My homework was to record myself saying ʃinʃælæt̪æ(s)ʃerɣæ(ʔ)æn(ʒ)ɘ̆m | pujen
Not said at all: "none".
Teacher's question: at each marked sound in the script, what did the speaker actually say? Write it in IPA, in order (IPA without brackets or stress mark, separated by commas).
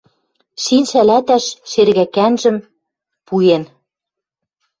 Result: ʃ, k, ʒ